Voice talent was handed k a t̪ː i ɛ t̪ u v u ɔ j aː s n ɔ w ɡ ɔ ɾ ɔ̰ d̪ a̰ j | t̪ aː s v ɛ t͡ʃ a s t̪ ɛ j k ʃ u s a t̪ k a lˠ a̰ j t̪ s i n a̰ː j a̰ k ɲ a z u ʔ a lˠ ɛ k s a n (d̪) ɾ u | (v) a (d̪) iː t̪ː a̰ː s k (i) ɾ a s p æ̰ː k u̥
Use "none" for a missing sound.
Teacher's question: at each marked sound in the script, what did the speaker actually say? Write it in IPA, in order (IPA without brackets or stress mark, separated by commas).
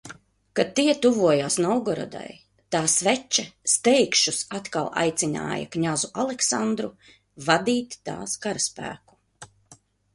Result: d̪, v, d̪, a